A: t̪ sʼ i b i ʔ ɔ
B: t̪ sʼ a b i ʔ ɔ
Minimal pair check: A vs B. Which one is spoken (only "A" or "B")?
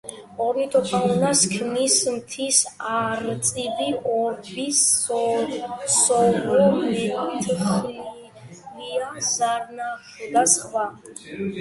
A